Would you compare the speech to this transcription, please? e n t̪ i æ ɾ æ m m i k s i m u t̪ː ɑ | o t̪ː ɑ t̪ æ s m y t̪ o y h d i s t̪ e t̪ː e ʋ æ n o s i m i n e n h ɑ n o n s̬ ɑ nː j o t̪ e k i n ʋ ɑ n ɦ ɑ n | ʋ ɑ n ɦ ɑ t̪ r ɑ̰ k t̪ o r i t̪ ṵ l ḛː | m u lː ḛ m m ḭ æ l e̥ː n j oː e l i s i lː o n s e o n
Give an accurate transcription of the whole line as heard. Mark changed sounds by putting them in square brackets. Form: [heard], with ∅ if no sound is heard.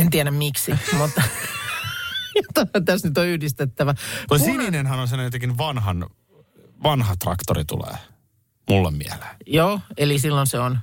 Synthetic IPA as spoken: e n t̪ i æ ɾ æ m m i k s i m u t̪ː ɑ | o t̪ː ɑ t̪ æ s [n] y t̪ o y h d i s t̪ e t̪ː [æ] ʋ æ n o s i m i n e n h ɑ n o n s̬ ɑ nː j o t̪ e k i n ʋ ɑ n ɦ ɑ n | ʋ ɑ n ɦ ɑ t̪ r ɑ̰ k t̪ o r i t̪ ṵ l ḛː | m u lː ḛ m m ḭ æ l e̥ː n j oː e l i s i lː o n s e o n